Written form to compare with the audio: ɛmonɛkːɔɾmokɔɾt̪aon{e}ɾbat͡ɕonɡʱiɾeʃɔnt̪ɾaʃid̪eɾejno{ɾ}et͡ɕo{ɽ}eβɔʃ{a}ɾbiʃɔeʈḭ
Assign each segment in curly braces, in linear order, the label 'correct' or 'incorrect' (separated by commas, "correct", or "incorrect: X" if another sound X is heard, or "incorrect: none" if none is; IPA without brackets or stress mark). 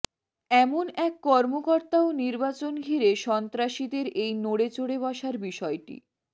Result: incorrect: i, incorrect: ɽ, correct, correct